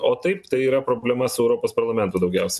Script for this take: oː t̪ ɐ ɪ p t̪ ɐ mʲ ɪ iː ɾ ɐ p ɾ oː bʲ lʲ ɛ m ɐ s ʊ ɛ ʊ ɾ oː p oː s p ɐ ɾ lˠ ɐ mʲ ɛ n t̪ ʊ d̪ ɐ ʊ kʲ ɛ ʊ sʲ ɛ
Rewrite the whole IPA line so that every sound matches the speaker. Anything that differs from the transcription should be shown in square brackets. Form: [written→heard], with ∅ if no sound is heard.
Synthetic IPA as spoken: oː t̪ ɐ ɪ p t̪ ɐ [mʲ→∅] ɪ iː ɾ ɐ p ɾ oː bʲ lʲ ɛ m ɐ s ʊ ɛ ʊ ɾ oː p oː s p ɐ ɾ lˠ ɐ mʲ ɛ n t̪ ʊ d̪ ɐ ʊ [kʲ→ɡʲ] ɛ ʊ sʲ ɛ